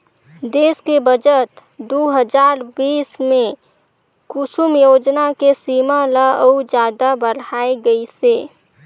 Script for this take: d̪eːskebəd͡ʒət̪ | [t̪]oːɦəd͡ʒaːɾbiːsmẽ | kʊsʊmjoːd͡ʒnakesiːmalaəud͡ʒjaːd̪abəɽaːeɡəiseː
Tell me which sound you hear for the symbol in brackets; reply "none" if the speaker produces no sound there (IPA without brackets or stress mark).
d̪